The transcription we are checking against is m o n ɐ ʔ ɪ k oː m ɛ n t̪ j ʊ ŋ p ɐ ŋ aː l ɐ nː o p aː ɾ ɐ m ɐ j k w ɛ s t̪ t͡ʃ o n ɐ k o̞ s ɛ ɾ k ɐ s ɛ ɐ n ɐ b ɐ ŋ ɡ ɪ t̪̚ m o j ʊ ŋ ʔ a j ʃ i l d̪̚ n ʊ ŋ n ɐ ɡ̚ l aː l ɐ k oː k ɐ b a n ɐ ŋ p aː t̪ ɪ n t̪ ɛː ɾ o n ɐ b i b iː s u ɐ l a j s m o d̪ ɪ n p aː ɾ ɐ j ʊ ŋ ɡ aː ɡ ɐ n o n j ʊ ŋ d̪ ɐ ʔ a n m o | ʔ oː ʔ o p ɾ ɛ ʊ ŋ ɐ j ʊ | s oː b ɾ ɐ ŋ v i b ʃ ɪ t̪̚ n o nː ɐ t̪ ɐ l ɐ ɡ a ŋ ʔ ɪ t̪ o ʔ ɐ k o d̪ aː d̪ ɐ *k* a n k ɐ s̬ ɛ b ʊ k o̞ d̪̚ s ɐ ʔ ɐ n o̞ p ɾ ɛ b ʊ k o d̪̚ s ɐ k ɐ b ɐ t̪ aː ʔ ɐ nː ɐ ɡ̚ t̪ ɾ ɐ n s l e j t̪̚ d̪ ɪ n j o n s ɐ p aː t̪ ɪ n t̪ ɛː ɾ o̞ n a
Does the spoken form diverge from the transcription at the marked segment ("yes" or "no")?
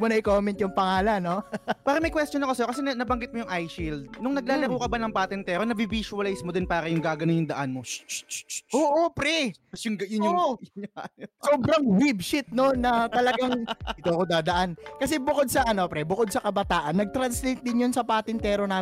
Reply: yes